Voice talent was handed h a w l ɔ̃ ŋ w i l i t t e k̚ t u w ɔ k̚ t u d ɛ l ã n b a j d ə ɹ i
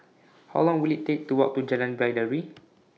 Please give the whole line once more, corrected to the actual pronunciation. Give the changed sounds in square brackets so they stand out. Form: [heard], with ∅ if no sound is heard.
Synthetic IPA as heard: h a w l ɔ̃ ŋ w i l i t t e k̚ t u w ɔ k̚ t u [d͡ʒ] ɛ l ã n b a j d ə ɹ i